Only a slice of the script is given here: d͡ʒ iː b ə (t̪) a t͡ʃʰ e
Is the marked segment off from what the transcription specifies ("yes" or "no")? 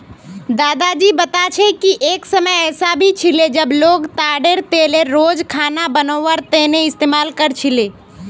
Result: no